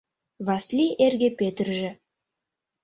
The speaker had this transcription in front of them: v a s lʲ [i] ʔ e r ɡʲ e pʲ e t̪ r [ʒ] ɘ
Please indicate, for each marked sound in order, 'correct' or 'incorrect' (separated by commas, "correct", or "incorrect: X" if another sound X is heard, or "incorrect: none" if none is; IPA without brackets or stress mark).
correct, correct